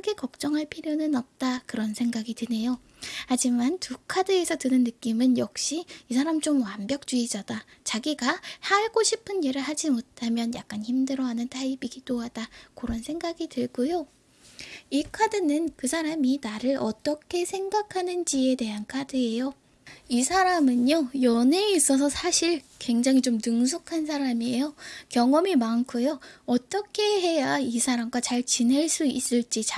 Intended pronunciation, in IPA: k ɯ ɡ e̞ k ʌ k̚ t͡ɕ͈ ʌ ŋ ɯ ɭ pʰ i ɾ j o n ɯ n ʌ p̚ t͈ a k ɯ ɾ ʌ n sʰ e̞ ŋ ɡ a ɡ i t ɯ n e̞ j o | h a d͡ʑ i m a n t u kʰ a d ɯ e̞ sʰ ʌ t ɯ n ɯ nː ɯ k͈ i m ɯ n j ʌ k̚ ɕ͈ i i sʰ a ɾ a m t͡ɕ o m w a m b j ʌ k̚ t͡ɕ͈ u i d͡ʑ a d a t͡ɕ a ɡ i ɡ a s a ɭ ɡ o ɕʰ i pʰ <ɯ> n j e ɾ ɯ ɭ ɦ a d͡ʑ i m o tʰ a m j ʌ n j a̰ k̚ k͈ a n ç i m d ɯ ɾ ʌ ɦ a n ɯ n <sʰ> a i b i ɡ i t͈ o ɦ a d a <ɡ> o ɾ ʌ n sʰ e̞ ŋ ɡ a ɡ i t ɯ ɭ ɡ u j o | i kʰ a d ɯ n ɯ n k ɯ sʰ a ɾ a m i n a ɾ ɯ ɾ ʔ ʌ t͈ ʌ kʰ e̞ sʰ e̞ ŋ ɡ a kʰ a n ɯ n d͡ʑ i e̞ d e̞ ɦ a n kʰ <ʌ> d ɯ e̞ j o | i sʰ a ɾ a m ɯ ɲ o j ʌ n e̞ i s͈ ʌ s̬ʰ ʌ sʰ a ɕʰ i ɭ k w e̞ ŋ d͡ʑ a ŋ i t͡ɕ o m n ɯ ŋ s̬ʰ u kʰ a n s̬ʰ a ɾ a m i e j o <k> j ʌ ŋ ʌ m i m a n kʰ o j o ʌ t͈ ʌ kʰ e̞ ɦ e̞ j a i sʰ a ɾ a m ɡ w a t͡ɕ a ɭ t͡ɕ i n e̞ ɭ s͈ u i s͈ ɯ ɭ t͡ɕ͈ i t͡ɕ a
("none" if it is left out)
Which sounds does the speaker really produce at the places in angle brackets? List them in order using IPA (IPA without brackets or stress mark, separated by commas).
ɯ, tʰ, k, a, k